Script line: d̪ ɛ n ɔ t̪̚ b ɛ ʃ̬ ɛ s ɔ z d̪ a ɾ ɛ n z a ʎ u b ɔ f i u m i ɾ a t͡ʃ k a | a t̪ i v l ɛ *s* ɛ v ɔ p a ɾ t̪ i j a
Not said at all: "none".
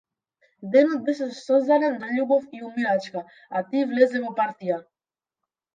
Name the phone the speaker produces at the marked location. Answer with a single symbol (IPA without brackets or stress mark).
z